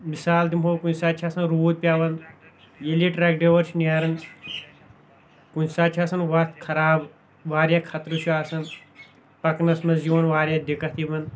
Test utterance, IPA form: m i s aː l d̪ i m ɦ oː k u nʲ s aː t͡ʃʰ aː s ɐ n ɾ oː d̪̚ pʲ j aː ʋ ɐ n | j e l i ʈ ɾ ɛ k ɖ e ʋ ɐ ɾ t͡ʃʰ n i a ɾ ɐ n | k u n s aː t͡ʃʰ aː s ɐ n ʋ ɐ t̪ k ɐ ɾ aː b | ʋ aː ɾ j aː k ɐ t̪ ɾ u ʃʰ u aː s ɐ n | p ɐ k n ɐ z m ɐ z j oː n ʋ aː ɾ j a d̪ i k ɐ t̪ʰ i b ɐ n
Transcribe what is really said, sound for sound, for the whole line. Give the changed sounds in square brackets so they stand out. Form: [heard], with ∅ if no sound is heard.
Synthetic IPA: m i s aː l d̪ i m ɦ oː k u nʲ s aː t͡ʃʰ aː s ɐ n ɾ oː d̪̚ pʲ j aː ʋ ɐ n | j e l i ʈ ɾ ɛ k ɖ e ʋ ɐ ɾ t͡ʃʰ n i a ɾ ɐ n | k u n s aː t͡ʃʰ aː s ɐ n ʋ ɐ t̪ [kʰ] ɐ ɾ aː b | ʋ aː ɾ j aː [kʰ] ɐ t̪ ɾ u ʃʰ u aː s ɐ n | p ɐ k n ɐ [s] m ɐ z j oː n ʋ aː ɾ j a d̪ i k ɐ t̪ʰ i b ɐ n